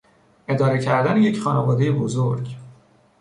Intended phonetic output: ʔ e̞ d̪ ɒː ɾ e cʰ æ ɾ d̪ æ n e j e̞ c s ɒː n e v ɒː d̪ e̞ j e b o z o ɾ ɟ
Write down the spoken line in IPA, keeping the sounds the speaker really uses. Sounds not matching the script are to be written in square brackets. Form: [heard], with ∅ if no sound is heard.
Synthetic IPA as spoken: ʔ e̞ d̪ ɒː ɾ e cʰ æ ɾ d̪ æ n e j e̞ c [χ] ɒː n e v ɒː d̪ e̞ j e b o z o ɾ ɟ